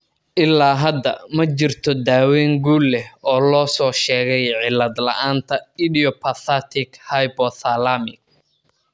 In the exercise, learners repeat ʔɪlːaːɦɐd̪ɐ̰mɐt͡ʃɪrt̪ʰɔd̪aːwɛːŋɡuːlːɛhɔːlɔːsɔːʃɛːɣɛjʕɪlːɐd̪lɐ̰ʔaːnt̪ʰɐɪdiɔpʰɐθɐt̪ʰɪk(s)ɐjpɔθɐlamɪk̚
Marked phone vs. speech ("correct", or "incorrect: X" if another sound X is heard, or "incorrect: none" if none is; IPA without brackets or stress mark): incorrect: h